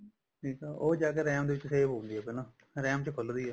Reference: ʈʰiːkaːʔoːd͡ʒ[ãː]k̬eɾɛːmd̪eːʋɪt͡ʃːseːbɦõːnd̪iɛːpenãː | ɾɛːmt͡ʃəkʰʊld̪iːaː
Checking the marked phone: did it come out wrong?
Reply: yes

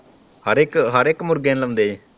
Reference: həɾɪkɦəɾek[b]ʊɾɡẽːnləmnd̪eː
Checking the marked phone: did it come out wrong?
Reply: yes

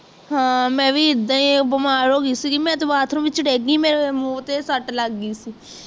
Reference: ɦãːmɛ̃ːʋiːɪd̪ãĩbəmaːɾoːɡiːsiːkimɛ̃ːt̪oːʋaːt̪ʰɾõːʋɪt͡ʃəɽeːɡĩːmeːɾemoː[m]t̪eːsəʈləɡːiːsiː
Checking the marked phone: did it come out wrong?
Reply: yes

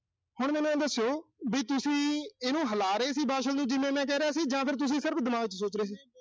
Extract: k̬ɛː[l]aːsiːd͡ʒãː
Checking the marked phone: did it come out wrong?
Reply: yes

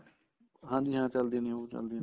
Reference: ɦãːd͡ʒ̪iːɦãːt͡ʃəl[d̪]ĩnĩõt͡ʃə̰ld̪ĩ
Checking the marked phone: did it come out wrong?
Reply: no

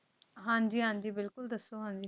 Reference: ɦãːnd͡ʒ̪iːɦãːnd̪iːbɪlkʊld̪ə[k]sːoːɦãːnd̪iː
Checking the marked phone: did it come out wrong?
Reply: yes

